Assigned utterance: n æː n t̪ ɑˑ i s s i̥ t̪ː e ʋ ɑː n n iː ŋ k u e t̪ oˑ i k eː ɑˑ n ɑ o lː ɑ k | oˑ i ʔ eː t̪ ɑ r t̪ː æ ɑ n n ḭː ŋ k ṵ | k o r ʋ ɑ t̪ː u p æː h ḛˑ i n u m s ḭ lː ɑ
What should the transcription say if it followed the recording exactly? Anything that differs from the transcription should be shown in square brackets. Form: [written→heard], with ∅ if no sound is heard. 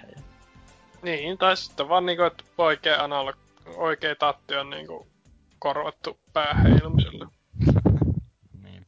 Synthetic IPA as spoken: n [æː→iː] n t̪ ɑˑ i s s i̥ t̪ː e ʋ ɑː n n iː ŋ k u e t̪ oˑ i k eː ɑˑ n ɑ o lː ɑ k | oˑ i [ʔ→k] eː t̪ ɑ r t̪ː [æ→i] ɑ n n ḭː ŋ k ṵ | k o r ʋ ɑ t̪ː u p æː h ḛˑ i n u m s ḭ lː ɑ